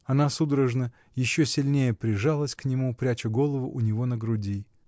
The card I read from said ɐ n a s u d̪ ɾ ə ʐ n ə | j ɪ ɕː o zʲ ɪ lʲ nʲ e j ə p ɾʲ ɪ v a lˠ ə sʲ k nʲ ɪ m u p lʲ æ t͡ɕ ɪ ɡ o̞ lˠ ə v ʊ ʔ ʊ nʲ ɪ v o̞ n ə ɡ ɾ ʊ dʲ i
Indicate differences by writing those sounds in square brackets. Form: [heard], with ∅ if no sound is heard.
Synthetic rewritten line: ɐ n a s u d̪ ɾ ə ʐ n ə | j ɪ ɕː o [sʲ] ɪ lʲ nʲ e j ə p ɾʲ ɪ [ʐ] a lˠ ə sʲ k nʲ ɪ m u p [ɾʲ] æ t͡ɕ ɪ ɡ o̞ lˠ ə v ʊ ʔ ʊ nʲ ɪ v o̞ n ə ɡ ɾ ʊ dʲ i